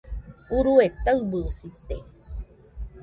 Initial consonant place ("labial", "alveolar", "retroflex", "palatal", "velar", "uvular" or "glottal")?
alveolar